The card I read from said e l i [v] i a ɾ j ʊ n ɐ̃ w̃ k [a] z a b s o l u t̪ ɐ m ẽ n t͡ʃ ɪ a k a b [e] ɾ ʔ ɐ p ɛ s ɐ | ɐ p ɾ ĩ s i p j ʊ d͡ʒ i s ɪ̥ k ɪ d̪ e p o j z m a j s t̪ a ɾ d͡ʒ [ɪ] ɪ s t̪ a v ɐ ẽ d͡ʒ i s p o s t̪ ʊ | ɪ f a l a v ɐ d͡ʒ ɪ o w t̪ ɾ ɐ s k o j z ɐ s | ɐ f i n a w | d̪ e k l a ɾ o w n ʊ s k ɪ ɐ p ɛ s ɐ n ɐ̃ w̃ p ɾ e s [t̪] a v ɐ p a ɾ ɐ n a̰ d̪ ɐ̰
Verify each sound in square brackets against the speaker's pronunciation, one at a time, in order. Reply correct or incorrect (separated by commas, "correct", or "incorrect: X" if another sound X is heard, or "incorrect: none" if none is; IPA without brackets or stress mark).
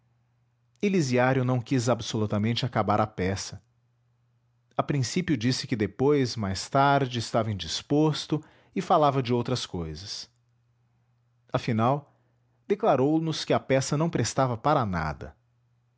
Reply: incorrect: z, incorrect: i, incorrect: a, correct, correct